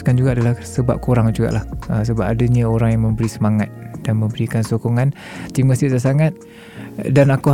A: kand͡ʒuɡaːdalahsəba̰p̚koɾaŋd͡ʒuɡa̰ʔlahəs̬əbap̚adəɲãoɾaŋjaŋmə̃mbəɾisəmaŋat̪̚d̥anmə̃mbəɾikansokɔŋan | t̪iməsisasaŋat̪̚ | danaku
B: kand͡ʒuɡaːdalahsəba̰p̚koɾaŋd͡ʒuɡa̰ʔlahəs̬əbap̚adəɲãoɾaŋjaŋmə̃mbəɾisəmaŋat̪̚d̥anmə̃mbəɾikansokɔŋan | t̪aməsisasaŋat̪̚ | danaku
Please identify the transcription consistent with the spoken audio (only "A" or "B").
A